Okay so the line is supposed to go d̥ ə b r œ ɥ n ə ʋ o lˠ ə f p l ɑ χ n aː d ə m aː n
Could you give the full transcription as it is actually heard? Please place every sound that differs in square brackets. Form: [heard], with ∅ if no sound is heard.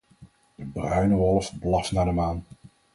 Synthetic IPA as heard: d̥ ə b r œ ɥ n ə ʋ [ɔ] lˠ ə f [b] l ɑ [f] n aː d ə m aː n